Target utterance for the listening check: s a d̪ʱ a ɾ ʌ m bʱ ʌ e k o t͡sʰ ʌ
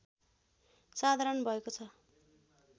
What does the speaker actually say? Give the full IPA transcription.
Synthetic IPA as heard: s a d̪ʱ a ɾ ʌ n bʱ ʌ e k o t͡sʰ ʌ